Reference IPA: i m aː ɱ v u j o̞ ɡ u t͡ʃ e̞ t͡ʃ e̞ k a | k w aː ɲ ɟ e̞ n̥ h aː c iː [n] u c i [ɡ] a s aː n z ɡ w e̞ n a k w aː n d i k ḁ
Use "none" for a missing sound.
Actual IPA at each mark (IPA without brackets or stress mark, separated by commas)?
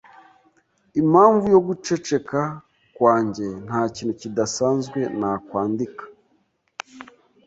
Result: n, d